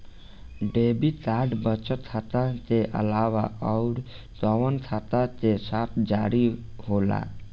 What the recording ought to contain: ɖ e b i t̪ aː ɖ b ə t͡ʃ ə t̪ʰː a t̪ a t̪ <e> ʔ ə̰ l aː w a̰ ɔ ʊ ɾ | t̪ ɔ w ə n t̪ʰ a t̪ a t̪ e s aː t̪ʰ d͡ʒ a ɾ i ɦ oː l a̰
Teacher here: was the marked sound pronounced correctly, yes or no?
yes